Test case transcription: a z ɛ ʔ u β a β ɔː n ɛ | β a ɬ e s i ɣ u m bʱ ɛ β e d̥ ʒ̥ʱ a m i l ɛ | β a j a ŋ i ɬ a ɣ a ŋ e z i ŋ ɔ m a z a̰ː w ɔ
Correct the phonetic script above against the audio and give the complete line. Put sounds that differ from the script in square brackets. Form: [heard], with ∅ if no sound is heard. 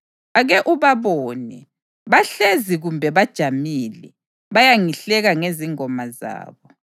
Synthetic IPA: a [ɣ] ɛ ʔ u β a β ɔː n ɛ | β a ɬ e [z] i ɣ u m bʱ ɛ β [a] d̥ ʒ̥ʱ a m i l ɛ | β a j a ŋ i ɬ [ɛ] ɣ a ŋ e z i ŋ ɔ m a z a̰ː [β] ɔ